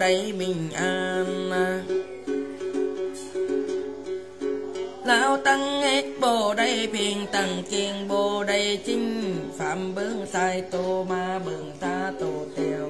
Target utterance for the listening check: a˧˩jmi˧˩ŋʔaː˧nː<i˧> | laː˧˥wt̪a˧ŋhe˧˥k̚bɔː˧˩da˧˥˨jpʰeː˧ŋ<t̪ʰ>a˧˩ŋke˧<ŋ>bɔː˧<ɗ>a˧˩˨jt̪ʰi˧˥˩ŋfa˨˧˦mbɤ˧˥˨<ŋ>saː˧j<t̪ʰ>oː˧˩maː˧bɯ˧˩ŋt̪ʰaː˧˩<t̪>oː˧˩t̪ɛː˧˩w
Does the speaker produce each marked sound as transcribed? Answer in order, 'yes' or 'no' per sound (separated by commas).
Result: no, no, yes, no, yes, no, yes